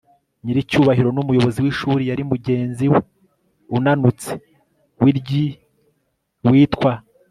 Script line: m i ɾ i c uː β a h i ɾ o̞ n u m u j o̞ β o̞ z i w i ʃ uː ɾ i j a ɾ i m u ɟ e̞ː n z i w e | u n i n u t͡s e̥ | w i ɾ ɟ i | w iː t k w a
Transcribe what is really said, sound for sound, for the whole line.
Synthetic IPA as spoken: ɲ i ɾ i c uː β a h i ɾ o̞ n u m u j o̞ β o̞ z i w i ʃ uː ɾ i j a ɾ i m u ɟ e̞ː n z i w e | u n a n u t͡s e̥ | w i ɾ ɟ i | w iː t k w a